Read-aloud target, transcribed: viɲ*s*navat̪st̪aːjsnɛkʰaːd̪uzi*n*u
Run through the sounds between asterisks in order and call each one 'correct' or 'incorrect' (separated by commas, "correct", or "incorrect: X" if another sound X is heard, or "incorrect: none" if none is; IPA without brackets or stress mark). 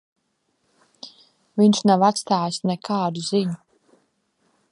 incorrect: ʃ, incorrect: ɲ